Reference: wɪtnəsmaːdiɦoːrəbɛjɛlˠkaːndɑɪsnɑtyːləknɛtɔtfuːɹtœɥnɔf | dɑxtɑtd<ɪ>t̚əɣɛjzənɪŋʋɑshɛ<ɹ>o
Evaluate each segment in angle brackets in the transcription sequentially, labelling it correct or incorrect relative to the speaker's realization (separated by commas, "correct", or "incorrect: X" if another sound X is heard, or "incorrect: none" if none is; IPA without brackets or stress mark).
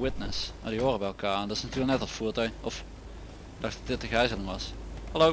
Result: correct, incorrect: l